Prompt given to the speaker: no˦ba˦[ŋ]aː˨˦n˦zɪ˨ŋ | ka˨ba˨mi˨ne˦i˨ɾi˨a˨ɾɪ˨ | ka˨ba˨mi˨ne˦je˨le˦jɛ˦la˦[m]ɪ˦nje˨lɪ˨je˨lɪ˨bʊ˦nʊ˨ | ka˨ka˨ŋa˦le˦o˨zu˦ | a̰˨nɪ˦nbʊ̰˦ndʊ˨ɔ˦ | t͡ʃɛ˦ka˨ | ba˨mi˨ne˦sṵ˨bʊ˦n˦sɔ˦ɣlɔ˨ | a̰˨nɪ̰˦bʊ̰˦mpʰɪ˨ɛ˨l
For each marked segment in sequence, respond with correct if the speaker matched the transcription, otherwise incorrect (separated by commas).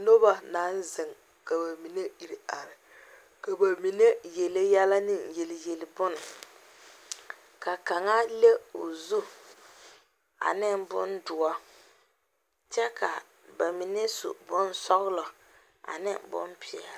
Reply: incorrect, incorrect